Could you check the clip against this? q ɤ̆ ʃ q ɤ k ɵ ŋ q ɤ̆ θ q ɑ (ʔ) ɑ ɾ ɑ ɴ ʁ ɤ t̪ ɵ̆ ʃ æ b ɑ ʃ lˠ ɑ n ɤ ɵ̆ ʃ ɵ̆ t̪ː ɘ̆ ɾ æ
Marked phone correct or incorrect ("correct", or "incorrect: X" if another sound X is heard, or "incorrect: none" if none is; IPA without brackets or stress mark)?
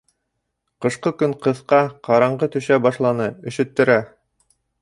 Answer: incorrect: q